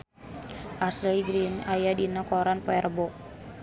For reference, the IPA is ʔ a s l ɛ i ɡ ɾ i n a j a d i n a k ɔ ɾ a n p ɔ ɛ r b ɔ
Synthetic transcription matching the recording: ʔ a s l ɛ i ɡ ɾ i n a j a d i n a k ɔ ɾ a n p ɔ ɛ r b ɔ